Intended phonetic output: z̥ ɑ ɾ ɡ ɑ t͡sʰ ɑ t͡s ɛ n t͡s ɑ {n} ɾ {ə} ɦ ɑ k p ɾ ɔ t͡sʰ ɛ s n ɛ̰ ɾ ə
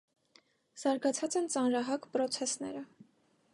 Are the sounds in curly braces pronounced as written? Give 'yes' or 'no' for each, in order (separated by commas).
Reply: yes, no